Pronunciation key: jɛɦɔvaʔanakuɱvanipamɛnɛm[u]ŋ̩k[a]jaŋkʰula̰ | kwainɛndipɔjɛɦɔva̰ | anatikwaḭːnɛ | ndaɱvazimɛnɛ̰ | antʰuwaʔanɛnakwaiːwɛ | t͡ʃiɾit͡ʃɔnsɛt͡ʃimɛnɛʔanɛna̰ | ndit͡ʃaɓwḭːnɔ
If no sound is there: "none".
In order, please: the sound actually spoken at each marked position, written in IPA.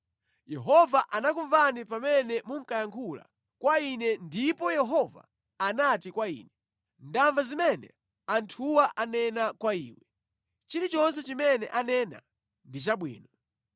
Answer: u, a

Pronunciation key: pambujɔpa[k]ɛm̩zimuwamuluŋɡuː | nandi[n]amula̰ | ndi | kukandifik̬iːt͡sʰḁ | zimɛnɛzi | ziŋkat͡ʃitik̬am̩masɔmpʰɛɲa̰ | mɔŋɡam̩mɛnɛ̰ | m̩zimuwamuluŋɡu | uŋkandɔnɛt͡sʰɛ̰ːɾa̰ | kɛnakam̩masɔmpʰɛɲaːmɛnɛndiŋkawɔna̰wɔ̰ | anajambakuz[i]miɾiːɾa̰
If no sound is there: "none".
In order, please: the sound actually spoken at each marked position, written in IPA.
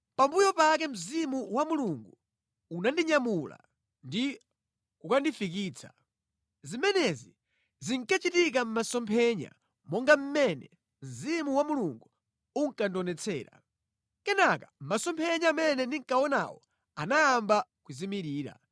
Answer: k, ɲ, i

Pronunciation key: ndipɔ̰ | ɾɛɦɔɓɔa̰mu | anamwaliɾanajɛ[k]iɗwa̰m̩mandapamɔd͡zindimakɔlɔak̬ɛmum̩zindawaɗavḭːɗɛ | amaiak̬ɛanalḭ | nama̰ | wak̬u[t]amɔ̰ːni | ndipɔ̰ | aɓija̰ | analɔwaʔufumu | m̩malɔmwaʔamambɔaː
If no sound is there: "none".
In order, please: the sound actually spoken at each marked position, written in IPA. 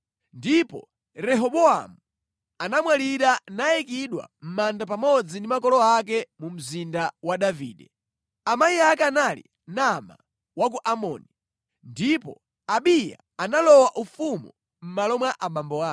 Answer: k, ʔ

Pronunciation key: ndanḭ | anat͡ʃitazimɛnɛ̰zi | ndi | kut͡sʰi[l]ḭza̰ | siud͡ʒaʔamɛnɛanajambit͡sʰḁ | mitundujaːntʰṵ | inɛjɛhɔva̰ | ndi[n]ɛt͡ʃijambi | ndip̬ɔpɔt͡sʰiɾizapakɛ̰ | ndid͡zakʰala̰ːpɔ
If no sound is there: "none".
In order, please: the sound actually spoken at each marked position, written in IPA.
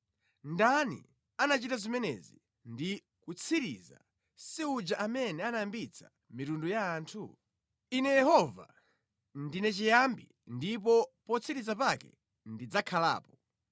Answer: ɾ, n

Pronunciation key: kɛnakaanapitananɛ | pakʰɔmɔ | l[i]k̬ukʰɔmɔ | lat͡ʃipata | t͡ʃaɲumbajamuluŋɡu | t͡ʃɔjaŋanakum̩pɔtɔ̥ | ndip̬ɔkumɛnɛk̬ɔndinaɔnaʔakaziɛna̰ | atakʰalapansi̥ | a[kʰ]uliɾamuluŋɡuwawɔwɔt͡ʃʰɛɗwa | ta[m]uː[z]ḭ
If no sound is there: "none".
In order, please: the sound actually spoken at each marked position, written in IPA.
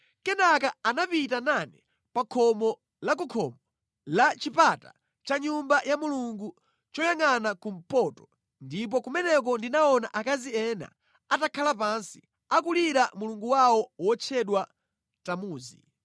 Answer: a, k, m, z

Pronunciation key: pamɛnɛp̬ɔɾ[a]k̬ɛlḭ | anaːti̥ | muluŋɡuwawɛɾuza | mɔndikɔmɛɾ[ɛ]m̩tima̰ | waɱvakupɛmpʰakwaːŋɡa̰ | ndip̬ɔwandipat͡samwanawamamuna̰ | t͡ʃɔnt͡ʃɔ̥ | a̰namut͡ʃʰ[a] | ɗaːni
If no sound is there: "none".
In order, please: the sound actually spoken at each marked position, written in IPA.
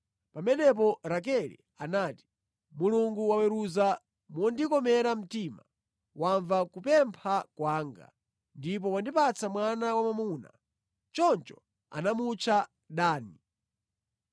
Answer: a, a, a

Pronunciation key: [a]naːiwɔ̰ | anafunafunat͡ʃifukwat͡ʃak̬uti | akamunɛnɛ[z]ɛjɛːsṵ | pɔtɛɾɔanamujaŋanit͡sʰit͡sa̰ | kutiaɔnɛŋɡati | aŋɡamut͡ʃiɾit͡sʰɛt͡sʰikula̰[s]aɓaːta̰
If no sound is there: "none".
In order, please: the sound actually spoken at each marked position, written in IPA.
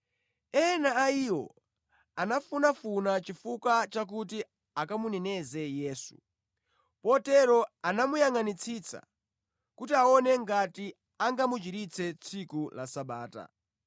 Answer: ɛ, z, s

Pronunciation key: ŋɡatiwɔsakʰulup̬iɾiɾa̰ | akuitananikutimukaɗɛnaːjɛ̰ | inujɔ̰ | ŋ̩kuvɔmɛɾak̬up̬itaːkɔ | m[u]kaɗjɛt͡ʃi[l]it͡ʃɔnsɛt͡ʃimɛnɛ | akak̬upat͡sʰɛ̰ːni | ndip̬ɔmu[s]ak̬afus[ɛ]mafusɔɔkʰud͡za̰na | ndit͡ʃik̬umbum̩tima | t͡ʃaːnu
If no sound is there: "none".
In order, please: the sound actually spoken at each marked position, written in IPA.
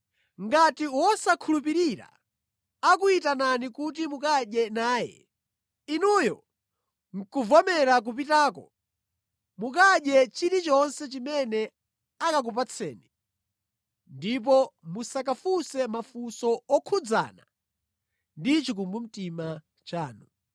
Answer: u, ɾ, s, ɛ

